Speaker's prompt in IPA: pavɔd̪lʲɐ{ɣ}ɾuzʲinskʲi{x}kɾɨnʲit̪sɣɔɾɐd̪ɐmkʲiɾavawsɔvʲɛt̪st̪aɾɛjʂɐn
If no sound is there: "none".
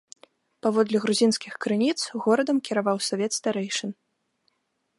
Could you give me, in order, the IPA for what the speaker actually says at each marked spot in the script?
ɣ, x

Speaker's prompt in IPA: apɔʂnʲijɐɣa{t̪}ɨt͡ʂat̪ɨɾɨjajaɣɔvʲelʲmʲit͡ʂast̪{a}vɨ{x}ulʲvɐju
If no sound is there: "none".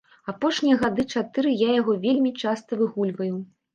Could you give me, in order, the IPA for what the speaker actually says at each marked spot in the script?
d̪, ɐ, ɣ

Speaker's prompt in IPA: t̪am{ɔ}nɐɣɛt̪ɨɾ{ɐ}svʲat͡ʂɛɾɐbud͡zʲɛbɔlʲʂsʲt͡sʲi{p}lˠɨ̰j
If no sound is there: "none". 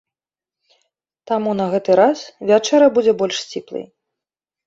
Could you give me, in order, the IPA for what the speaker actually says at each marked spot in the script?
u, a, p

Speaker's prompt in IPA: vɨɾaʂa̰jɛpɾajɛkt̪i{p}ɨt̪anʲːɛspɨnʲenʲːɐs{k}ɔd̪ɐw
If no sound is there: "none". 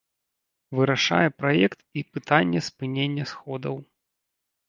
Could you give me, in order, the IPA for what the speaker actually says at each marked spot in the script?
p, x

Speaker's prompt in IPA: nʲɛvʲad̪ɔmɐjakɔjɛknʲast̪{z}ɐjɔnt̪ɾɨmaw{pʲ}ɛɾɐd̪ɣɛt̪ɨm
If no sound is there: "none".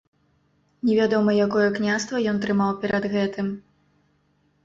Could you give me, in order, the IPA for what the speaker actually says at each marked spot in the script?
v, pʲ

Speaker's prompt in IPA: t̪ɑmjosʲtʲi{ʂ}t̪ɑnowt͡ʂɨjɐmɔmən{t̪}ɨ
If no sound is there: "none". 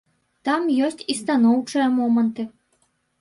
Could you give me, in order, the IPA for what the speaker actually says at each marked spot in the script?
s, t̪

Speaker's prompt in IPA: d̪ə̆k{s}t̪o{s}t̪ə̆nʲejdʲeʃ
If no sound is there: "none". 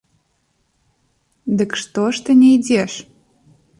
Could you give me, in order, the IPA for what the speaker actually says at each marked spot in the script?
ʃ, ʃ

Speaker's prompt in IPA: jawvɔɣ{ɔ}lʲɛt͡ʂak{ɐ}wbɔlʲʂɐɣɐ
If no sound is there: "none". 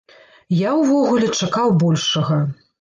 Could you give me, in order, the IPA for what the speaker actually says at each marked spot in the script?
u, a

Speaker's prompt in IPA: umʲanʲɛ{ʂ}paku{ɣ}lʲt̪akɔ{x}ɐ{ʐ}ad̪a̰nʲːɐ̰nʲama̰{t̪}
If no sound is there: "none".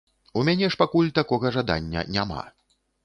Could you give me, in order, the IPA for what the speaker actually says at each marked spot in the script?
ʂ, none, ɣ, ʐ, none

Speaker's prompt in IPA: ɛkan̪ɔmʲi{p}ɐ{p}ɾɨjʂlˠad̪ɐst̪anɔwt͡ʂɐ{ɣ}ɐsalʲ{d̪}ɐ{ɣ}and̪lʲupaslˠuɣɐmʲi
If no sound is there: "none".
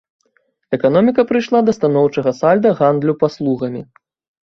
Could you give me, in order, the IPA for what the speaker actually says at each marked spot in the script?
k, p, ɣ, d̪, ɣ

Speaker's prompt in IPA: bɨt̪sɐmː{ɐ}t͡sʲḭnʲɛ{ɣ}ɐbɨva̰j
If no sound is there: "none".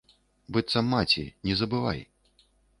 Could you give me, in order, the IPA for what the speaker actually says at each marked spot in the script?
a, z

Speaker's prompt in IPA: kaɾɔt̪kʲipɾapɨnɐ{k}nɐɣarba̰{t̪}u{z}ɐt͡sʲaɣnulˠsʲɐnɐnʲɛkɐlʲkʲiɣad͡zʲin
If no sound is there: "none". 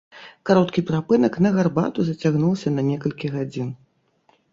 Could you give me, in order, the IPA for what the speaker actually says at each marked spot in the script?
k, t̪, z

